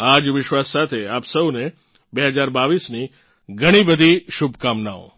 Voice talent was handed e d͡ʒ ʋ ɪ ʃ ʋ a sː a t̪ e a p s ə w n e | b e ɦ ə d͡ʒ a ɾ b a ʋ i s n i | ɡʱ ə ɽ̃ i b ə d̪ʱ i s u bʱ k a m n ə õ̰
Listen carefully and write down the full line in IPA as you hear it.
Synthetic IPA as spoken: a d͡ʒ ʋ ɪ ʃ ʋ a sː a t̪ʰ e a p s ə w n e | b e ɦ ə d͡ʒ a ɾ b a ʋ i s n i | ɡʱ ə ɽ̃ i b ə d̪ʱ i ʃ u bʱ k a m n a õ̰